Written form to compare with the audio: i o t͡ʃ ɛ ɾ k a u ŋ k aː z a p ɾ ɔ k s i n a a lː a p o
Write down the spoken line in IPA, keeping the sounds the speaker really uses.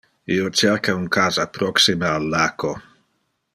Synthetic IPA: i o t͡ʃ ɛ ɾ k a u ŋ k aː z a p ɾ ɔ k s i m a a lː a k o